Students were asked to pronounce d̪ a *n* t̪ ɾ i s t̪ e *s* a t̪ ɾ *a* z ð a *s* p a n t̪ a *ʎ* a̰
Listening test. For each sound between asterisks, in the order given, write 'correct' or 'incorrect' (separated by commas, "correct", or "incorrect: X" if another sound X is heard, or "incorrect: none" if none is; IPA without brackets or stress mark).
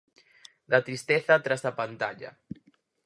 incorrect: none, incorrect: θ, correct, incorrect: none, correct